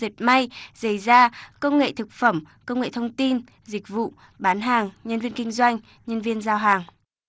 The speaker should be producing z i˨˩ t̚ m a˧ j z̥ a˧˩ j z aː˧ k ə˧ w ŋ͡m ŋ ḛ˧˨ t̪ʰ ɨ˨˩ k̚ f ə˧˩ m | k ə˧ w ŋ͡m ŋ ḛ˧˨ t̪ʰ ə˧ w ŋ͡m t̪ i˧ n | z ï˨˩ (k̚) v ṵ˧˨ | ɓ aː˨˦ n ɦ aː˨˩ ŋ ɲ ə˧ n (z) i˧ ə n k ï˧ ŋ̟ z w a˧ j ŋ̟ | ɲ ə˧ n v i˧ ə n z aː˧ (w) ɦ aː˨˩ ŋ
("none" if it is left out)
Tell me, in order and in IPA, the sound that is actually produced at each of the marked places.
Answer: k̚, v, w

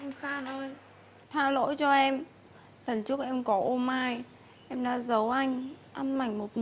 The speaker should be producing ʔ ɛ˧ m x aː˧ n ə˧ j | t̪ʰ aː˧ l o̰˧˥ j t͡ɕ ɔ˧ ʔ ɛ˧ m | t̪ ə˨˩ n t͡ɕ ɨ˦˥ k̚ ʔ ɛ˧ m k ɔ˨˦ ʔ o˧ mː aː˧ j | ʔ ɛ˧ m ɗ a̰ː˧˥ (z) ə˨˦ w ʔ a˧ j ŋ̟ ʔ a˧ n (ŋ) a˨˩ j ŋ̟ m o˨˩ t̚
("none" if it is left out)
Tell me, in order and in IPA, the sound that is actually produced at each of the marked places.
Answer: z, m

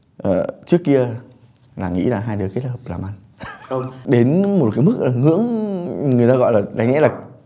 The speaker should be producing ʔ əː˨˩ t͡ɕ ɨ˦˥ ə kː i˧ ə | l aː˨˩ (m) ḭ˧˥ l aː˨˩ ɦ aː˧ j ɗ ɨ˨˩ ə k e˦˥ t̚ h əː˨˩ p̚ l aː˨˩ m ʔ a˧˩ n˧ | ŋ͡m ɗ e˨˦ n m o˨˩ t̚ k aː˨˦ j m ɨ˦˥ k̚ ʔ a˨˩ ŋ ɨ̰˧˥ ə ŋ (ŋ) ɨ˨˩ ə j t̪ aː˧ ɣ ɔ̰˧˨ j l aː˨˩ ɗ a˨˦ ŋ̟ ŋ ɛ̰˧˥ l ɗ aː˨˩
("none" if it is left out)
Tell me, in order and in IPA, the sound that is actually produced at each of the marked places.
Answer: ŋ, ŋ

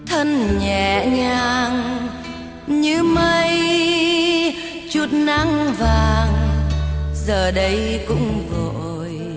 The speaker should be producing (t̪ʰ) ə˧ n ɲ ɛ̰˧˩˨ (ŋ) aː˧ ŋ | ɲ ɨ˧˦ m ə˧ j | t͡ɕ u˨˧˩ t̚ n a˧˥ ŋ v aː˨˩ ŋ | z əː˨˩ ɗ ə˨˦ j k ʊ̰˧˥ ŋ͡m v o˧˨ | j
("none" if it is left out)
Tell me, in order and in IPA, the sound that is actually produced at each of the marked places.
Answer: t̪ʰ, ɲ

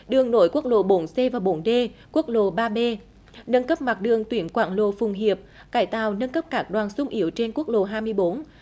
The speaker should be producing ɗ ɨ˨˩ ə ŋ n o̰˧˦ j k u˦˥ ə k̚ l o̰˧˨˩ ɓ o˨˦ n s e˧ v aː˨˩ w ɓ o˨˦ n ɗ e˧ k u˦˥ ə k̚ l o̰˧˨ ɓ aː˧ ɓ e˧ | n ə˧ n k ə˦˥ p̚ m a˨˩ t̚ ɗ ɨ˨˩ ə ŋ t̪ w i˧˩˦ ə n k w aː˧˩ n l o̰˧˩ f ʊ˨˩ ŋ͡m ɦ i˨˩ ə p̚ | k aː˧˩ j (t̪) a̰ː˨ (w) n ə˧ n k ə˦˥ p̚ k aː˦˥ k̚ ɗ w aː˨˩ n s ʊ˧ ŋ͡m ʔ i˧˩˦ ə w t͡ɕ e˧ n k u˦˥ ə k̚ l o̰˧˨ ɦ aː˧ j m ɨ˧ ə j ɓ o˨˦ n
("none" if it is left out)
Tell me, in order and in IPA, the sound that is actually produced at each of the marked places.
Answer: t̪, w

